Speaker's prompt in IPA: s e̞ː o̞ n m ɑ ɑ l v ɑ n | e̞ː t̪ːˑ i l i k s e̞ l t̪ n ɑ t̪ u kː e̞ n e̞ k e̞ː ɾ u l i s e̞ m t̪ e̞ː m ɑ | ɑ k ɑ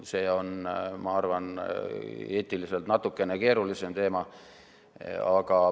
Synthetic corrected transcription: s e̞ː o̞ n m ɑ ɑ r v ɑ n | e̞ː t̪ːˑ i l i s e̞ l t̪ n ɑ t̪ u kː e̞ n e̞ k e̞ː ɾ u l i s e̞ m t̪ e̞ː m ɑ | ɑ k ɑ

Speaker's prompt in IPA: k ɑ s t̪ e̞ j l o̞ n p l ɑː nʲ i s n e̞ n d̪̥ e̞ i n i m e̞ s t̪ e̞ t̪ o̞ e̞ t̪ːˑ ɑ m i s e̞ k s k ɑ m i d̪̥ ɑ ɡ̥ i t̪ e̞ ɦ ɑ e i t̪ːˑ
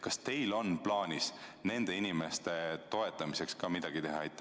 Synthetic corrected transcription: k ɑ s t̪ e̞ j l o̞ n p l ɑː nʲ i s n e̞ n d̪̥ e̞ i n i m e̞ s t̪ e̞ t̪ o̞ e̞ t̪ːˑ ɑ m i s e̞ k s k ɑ m i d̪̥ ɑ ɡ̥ i t̪ e̞ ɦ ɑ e j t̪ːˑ

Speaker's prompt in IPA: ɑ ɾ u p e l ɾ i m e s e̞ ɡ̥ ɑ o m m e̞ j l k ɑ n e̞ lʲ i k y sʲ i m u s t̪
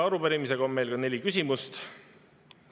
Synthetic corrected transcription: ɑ ɾ u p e ɾ i m i s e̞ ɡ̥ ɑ o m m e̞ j l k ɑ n e̞ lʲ i k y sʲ i m u s t̪

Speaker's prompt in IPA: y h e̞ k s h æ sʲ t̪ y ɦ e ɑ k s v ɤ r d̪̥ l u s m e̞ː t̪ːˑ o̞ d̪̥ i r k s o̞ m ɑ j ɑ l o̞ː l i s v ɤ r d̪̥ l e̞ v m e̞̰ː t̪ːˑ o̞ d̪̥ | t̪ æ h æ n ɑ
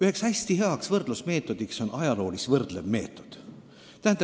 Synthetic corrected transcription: y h e̞ k s h æ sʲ t̪ i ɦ e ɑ k s v ɤ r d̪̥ l u s m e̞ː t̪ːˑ o̞ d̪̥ i k s o̞ n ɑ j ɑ l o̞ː l i s v ɤ r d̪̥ l e̞ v m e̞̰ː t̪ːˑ o̞ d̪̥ | t̪ æ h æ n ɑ

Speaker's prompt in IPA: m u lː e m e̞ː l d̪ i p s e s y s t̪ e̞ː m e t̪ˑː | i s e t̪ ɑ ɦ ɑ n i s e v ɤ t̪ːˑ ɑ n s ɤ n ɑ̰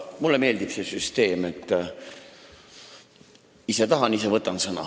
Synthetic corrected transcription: m u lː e m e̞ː l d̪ i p s e s y s t̪ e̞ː m e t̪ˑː | i s e t̪ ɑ ɦ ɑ n i s e v ɤ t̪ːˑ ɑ n s ɤ n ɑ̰

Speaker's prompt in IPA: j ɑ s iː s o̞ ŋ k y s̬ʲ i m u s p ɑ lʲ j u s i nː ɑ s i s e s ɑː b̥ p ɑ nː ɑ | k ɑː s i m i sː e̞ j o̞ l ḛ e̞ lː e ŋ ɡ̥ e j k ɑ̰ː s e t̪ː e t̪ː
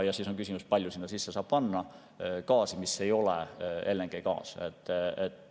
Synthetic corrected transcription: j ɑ s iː s o̞ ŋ k y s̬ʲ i m u s p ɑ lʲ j u s i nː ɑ s i sː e s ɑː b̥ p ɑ nː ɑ | k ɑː s i m i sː e̞ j o̞ l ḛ e̞ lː e ŋ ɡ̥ e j k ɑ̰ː s e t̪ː e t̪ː

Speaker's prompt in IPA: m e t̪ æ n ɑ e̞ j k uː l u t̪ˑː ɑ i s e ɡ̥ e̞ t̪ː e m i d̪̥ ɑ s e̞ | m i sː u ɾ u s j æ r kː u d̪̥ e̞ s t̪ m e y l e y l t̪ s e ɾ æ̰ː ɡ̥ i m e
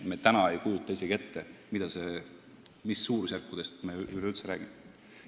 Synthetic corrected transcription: m e t̪ æ n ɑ e̞ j k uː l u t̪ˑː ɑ i s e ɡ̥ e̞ t̪ː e m i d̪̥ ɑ s e̞ | m i sː uː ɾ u s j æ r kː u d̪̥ e̞ s t̪ m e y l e y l t̪ s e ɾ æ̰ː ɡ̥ i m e

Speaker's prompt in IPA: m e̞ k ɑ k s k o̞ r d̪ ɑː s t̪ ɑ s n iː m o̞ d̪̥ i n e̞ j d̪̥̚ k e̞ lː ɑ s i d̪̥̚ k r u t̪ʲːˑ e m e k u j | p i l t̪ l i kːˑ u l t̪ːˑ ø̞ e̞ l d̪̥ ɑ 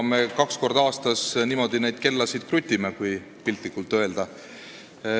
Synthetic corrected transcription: m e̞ k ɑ k s k o̞ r d̪ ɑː s t̪ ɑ s n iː m o̞ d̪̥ i n e̞ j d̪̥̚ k e̞ lː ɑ s i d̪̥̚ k r u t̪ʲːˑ i m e k u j | p i l t̪ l i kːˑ u l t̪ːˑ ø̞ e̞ l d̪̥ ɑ

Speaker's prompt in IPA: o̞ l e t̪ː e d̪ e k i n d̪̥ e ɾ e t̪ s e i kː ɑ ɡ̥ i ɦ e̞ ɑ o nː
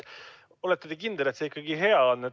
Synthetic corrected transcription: o̞ l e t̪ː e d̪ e k i n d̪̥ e l e t̪ s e i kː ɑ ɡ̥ i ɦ e̞ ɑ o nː

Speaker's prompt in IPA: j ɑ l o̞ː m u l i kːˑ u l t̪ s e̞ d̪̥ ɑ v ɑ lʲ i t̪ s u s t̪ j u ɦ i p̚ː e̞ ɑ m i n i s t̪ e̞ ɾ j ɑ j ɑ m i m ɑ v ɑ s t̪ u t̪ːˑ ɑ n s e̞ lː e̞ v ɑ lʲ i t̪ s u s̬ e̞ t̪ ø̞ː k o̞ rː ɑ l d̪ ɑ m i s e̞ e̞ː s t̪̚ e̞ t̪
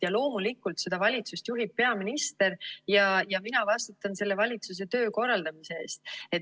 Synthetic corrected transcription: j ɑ l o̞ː m u l i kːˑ u l t̪ s e̞ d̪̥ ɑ v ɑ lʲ i t̪ s u s t̪ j u ɦ i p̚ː e̞ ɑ m i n i s t̪ e̞ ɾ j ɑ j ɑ m i n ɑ v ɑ s t̪ u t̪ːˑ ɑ n s e̞ lː e̞ v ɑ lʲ i t̪ s u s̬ e̞ t̪ ø̞ː k o̞ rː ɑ l d̪ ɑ m i s e̞ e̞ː s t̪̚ e̞ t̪

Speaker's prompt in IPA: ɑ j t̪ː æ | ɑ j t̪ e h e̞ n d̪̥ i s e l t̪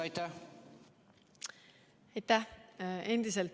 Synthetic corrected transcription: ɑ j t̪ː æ | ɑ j t̪ æ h e̞ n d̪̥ i s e l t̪

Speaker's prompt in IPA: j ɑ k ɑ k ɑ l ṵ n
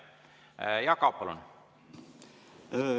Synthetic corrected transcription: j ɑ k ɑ p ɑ l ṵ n

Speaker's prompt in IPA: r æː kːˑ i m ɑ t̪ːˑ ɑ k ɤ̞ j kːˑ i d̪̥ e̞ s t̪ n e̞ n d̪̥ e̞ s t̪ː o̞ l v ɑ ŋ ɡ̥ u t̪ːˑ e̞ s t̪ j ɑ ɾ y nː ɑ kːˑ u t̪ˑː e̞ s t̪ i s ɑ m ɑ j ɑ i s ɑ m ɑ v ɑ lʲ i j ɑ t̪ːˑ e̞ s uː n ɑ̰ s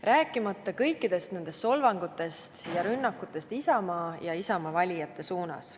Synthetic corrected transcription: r æː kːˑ i m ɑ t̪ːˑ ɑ k ɤ̞ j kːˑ i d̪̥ e̞ s t̪ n e̞ n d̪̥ e̞ s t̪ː o̞ l v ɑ ŋ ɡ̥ u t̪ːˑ e̞ s t̪ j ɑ ɾ y nː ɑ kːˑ u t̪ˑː e̞ s t̪ i s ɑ m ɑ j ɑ i s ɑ m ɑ v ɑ lʲ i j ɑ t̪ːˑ e̞ s uː n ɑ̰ s

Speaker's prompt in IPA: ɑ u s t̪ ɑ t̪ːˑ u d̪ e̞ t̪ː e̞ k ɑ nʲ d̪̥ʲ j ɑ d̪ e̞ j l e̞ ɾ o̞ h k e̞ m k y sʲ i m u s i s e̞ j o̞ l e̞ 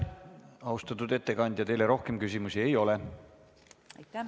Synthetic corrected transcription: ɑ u s t̪ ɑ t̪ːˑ u d̪ e̞ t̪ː e̞ k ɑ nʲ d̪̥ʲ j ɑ t̪ e̞ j l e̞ ɾ o̞ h k e̞ m k y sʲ i m u s i e̞ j o̞ l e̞

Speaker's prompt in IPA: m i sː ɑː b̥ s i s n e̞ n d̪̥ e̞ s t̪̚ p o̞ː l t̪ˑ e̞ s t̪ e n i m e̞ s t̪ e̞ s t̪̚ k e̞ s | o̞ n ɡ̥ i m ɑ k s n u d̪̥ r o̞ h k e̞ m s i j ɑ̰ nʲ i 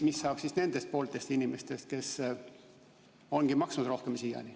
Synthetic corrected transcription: m i sː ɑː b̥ s i s n e̞ n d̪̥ e̞ s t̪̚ p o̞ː l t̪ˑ e̞ s t̪ i n i m e̞ s t̪ e̞ s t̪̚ k e̞ s | o̞ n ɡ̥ i m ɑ k s n u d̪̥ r o̞ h k e̞ m s i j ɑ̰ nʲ i

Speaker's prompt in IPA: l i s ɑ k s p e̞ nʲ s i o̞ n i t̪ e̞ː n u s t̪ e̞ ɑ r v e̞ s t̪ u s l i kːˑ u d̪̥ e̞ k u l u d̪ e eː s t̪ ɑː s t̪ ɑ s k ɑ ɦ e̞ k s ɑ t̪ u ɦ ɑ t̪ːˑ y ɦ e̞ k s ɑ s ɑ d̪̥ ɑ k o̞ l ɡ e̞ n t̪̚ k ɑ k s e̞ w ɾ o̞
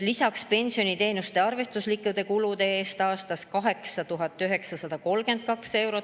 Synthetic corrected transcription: l i s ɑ k s p e̞ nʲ s i o̞ n i t̪ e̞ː n u s t̪ e̞ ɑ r v e̞ s t̪ u s l i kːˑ u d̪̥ e̞ k u l u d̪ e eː s t̪ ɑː s t̪ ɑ s k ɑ ɦ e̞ k s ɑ t̪ u ɦ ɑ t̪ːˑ y ɦ e̞ k s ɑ s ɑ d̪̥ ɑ k o̞ l ɡ e̞ n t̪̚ k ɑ k s e̞ w ɾ o̞

